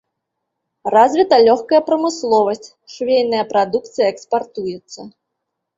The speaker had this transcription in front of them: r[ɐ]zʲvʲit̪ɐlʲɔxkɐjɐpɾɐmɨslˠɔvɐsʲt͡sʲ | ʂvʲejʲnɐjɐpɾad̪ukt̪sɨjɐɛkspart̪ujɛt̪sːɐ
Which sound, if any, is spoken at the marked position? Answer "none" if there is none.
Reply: a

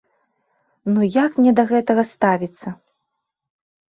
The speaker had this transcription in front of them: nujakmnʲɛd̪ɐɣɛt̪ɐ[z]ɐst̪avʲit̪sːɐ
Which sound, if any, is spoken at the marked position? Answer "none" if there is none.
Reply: ɣ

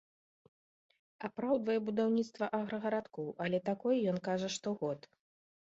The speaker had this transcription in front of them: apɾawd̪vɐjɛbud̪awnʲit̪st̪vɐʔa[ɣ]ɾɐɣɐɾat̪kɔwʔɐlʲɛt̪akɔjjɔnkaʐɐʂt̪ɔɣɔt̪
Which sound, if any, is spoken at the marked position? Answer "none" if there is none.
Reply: ɣ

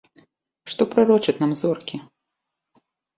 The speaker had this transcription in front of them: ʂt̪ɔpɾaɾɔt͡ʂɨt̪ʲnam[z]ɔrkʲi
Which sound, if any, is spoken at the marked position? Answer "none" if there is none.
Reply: z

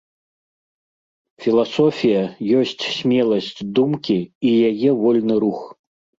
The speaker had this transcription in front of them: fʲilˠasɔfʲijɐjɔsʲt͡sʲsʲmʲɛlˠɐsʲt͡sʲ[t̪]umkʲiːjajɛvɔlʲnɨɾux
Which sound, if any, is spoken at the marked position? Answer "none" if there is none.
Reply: d̪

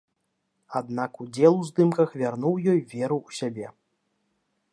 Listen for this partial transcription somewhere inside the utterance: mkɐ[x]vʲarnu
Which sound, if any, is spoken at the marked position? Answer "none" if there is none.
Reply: x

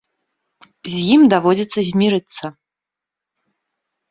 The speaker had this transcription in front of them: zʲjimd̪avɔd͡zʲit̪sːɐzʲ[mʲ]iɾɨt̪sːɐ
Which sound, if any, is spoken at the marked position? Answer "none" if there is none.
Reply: mʲ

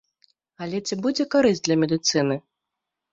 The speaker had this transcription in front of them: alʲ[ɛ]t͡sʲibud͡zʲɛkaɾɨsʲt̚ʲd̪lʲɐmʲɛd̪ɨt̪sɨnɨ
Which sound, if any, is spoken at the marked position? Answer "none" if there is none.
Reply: ɛ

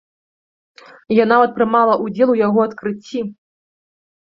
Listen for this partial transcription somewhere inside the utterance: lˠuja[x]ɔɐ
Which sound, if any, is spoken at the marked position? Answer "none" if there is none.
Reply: ɣ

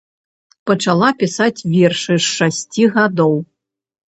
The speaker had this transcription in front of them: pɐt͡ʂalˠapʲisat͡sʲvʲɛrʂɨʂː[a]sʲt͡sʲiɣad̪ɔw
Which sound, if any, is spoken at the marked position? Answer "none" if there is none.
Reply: a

